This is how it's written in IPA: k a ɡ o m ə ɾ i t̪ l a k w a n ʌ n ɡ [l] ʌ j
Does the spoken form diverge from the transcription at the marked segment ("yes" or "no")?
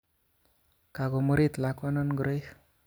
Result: yes